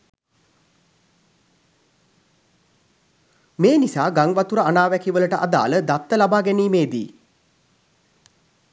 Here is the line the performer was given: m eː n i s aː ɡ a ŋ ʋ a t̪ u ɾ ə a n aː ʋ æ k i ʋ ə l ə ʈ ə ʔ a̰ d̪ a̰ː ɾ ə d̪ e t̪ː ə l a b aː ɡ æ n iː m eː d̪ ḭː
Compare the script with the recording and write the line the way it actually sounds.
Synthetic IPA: m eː n i s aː ɡ a ŋ ʋ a t̪ u ɾ ə a n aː ʋ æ k i ʋ ə l ə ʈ ə ʔ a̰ d̪ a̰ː l ə d̪ a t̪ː ə l a b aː ɡ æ n iː m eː d̪ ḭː